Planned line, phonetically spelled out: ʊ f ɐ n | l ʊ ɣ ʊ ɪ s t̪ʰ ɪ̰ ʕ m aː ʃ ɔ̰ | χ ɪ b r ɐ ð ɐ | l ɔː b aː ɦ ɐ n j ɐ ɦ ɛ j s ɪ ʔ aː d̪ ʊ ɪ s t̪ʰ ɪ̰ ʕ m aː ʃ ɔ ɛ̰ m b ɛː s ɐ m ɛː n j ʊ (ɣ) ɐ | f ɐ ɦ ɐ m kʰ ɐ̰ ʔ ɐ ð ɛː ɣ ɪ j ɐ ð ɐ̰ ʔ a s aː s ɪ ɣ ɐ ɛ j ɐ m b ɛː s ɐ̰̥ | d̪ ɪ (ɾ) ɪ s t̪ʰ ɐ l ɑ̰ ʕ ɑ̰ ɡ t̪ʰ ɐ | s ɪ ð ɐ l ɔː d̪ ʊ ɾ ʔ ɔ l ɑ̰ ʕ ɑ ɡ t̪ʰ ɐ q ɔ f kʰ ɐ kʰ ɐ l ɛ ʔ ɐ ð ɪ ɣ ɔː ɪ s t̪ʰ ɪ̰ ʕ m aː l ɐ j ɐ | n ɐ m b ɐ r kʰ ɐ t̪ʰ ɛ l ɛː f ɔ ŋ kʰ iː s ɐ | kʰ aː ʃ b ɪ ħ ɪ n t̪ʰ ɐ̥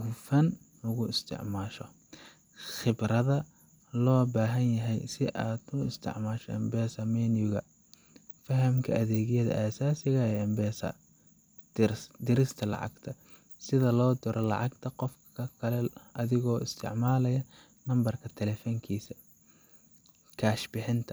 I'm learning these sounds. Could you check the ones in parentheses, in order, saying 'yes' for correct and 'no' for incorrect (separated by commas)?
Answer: yes, yes